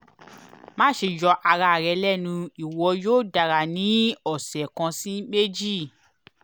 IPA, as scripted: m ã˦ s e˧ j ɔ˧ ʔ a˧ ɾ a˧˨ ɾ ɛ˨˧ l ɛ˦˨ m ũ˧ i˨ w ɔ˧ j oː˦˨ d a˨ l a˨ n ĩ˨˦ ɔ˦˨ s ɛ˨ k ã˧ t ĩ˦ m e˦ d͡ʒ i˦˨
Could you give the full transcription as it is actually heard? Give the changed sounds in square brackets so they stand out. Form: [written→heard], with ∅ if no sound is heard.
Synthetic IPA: m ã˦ [s→ʃ] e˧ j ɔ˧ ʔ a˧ ɾ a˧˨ ɾ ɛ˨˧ l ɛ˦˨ [m→n] ũ˧ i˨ w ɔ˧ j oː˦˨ d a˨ [l→ɾ] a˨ n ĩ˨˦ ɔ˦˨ s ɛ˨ k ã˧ [t→s] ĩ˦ m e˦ d͡ʒ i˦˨